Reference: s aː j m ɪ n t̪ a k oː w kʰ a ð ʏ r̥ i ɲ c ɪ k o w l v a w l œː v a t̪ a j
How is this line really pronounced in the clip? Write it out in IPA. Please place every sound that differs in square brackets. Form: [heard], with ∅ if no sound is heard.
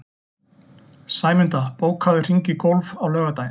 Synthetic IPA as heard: s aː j m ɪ n t̪ a [p] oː w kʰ a ð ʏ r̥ i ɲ c ɪ k o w l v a w l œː [ɣ] a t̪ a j